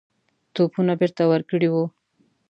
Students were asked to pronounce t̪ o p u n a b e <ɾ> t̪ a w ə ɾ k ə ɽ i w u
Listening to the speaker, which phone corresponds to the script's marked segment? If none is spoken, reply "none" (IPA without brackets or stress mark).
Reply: ɾ